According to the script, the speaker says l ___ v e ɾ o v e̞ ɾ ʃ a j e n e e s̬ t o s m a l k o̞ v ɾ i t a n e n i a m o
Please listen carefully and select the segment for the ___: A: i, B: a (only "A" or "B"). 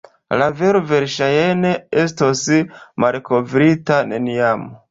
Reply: B